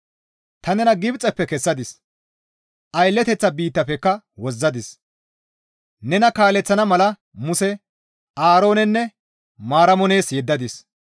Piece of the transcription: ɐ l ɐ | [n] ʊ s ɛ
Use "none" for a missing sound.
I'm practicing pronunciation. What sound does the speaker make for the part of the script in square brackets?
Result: m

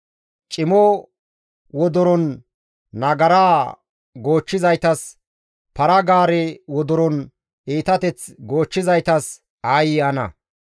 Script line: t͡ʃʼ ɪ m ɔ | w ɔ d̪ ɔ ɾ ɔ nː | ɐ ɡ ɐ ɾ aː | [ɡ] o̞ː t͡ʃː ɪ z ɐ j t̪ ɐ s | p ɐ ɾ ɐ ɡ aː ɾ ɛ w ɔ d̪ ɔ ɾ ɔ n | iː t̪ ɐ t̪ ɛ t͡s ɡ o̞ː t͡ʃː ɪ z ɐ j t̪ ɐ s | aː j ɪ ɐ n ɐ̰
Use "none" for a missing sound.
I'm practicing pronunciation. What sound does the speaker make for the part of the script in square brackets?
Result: ɡ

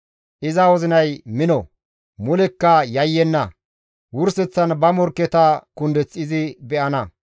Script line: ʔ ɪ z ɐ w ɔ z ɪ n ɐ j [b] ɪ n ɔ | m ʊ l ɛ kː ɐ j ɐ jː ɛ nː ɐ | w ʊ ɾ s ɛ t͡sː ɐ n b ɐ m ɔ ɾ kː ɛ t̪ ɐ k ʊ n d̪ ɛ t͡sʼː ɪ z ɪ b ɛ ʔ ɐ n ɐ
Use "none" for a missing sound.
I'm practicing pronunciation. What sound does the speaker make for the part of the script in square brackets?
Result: m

